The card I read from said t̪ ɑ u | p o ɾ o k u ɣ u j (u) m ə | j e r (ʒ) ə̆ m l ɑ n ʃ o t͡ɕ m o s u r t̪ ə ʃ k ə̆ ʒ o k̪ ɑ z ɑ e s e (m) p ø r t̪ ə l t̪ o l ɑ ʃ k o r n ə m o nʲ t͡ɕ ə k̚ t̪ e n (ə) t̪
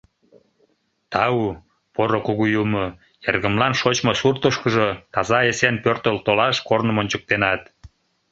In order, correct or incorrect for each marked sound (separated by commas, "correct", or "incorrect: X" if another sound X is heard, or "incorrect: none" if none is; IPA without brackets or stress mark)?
correct, incorrect: ɣ, incorrect: n, incorrect: ɑ